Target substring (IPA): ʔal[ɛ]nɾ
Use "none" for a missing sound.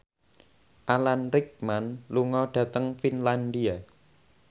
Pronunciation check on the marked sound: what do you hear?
a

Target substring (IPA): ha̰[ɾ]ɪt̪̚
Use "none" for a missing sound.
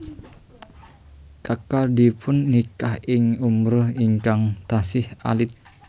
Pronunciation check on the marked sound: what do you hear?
l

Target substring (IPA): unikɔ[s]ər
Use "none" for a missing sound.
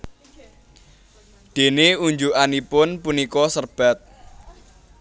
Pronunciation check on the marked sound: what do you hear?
s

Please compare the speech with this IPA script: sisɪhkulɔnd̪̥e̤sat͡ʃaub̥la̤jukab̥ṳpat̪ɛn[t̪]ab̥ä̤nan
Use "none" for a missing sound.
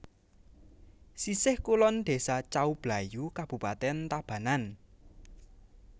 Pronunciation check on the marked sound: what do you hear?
t̪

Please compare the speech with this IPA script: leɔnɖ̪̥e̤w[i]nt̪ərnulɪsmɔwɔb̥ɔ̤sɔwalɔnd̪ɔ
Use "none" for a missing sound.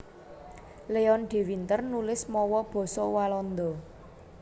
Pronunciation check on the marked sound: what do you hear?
i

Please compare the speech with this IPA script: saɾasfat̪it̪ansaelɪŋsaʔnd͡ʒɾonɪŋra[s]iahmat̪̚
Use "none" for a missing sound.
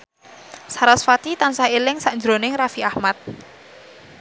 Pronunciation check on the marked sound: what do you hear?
f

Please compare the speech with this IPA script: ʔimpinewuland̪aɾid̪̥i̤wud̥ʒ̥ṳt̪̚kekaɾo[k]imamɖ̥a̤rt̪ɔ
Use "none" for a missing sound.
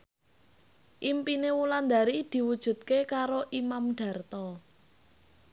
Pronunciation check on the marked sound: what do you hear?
ʔ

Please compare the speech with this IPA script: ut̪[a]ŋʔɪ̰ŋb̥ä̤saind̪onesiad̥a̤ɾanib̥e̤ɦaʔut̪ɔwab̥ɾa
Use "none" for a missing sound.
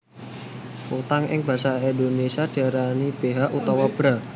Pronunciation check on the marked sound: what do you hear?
a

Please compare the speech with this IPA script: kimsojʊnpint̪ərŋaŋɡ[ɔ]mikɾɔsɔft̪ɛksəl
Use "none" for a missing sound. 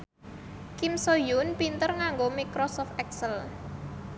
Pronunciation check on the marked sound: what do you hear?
o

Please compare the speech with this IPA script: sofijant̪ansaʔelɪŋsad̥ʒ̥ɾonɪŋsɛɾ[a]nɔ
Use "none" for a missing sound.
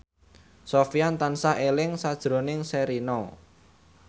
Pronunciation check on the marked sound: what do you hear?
i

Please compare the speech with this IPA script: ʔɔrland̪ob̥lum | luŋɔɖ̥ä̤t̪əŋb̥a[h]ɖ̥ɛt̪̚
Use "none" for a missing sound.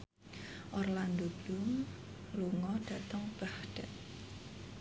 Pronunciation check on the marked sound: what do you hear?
h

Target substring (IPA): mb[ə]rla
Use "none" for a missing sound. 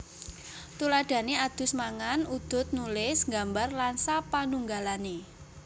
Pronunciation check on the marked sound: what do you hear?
a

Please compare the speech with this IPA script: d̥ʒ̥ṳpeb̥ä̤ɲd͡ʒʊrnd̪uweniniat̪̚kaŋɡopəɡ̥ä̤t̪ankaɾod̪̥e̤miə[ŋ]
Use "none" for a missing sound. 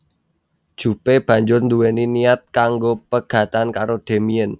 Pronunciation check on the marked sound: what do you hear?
n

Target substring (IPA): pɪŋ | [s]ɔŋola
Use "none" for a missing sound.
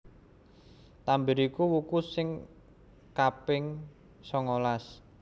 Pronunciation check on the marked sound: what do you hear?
s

